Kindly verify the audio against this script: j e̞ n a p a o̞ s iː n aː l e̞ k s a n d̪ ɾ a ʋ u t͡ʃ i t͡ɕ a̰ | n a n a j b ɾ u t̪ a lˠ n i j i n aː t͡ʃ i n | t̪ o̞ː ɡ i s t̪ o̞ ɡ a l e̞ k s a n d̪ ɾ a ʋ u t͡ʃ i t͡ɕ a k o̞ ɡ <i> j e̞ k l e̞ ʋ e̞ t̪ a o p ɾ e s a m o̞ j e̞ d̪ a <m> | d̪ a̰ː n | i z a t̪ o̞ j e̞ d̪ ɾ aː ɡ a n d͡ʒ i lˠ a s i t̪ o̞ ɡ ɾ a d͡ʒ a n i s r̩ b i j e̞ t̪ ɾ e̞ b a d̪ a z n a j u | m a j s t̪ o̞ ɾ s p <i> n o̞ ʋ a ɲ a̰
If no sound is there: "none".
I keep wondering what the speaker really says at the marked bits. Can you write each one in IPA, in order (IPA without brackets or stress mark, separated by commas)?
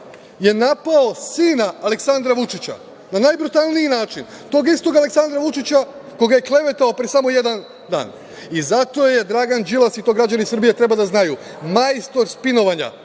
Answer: a, n, i